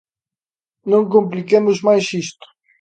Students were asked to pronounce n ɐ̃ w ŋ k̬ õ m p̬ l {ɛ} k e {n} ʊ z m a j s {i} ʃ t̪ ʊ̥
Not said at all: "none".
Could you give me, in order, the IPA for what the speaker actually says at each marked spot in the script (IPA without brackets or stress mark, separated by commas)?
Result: i, m, i